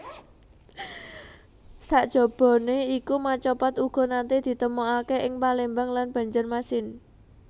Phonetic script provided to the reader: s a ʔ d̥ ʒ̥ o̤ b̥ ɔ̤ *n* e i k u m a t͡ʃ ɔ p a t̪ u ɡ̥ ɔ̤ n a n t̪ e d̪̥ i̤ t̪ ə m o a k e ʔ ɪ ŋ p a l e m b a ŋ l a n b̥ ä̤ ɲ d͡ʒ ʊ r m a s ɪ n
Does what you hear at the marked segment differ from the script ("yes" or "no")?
no